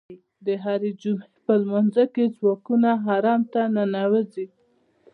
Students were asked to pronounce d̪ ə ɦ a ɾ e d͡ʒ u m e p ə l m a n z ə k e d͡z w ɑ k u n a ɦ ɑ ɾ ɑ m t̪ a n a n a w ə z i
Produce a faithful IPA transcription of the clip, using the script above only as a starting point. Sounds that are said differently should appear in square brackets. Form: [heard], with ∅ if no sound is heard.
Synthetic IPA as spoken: d̪ ə ɦ a ɾ e d͡ʒ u m e p ə l m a n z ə k e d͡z w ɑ k u n a ɦ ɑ ɾ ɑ m t̪ a n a n a w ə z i